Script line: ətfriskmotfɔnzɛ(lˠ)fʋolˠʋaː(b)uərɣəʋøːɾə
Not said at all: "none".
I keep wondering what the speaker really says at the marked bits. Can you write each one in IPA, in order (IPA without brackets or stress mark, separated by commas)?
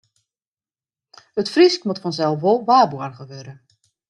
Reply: lˠ, b